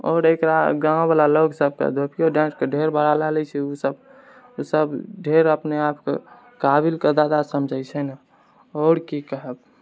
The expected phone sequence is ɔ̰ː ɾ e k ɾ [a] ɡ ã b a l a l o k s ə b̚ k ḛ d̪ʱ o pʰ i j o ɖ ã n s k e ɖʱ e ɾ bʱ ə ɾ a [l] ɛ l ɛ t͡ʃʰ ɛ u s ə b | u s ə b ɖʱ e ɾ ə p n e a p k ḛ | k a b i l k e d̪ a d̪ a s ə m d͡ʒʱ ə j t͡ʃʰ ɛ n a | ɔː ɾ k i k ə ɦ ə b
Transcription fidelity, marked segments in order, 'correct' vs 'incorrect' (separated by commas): correct, correct